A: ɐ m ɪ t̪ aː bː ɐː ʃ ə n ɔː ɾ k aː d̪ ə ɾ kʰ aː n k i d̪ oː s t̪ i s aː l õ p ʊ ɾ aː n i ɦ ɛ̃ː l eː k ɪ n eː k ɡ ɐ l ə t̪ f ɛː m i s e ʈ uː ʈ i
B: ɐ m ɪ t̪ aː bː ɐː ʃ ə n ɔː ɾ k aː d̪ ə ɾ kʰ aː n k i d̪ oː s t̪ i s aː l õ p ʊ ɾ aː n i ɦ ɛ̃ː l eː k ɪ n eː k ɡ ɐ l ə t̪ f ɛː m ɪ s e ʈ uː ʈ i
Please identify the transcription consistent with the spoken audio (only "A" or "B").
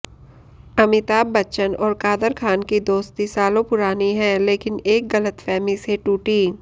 A